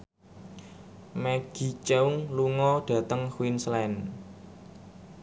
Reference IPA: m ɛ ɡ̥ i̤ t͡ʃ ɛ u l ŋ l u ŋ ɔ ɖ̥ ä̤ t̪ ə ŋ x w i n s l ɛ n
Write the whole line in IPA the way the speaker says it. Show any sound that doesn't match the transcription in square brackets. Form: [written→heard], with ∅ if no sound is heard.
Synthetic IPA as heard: m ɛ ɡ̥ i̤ t͡ʃ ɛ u [l→∅] ŋ l u ŋ ɔ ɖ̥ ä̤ t̪ ə ŋ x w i n s l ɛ n